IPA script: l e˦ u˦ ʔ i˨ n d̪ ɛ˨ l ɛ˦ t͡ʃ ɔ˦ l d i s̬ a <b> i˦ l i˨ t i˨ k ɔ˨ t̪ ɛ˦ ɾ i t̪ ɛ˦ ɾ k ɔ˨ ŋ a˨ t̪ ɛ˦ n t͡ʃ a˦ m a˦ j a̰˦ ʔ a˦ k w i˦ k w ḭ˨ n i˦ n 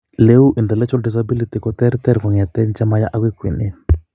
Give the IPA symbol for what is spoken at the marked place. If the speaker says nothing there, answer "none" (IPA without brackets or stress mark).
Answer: b